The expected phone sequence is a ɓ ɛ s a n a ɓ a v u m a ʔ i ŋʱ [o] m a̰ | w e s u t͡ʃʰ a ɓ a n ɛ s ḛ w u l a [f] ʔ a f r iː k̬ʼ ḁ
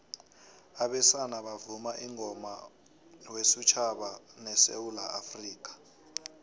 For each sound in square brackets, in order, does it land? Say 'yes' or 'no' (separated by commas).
no, no